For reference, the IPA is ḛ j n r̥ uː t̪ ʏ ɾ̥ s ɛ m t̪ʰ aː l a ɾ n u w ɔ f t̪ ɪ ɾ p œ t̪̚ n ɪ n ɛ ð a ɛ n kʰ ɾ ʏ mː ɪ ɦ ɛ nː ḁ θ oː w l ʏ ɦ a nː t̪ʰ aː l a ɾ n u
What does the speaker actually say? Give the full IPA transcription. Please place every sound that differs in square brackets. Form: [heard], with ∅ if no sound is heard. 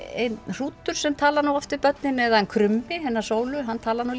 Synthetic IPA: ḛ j n r̥ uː t̪ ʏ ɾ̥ s ɛ m t̪ʰ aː l a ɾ n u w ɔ f t̪ ɪ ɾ p œ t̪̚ n ɪ n ɛ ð a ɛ n kʰ ɾ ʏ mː ɪ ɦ ɛ nː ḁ [s] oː w l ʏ ɦ a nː t̪ʰ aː l a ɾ n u